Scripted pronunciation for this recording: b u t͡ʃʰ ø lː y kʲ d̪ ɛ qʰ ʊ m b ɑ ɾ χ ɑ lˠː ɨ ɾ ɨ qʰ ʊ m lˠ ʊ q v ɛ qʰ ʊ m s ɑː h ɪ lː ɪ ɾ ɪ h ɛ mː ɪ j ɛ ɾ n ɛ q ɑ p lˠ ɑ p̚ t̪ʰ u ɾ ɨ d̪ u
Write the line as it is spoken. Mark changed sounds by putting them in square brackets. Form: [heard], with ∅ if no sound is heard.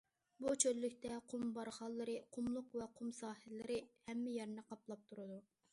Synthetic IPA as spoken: b u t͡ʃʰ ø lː y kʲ [t̪] ɛ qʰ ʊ m b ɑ ɾ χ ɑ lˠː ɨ ɾ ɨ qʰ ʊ m lˠ ʊ q v ɛ qʰ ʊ m s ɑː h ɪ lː ɪ ɾ ɪ h ɛ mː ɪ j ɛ ɾ n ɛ q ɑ p lˠ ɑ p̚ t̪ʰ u ɾ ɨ d̪ u